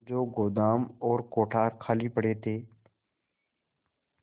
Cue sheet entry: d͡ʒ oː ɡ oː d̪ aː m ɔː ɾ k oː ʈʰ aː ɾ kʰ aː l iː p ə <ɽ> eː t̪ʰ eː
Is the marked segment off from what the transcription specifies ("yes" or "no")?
no